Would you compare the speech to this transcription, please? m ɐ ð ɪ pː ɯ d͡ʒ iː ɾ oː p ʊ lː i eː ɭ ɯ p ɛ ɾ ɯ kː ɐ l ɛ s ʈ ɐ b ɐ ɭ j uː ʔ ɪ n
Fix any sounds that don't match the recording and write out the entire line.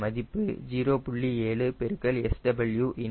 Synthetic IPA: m ɐ ð ɪ pː ɯ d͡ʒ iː ɾ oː p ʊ ɭː i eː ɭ ɯ p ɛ ɾ ɯ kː ɐ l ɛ s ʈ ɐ b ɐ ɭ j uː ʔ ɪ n